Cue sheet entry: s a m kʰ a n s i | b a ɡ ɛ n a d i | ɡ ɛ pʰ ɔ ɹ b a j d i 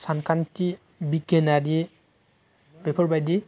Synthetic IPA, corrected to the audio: s a n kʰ a n t i | b i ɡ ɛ n a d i | b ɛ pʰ ɔ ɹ b a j d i